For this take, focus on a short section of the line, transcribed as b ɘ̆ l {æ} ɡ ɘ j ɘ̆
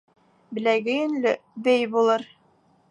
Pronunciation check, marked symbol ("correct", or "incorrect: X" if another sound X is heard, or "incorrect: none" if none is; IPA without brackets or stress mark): correct